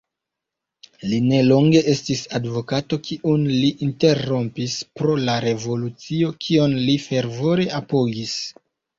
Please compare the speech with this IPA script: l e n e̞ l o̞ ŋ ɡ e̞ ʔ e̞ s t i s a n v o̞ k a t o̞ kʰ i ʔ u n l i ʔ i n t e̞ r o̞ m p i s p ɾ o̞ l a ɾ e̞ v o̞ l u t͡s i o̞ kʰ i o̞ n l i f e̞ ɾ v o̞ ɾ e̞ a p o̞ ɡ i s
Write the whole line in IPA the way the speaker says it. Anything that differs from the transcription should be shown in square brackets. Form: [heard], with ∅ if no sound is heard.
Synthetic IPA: l [i] n e̞ l o̞ ŋ ɡ e̞ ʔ e̞ s t i s a [d] v o̞ k a t o̞ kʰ i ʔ u n l i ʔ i n t e̞ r o̞ m p i s p ɾ o̞ l a ɾ e̞ v o̞ l u t͡s i o̞ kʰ i o̞ n l i f e̞ ɾ v o̞ ɾ e̞ a p o̞ ɡ i s